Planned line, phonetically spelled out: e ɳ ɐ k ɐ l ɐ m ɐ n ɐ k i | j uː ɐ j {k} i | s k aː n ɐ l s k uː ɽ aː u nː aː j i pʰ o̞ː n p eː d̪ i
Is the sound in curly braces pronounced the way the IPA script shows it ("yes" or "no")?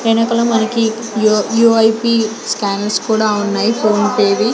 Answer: no